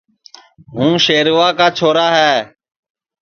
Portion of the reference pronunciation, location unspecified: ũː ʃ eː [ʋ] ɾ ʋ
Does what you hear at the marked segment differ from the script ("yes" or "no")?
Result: yes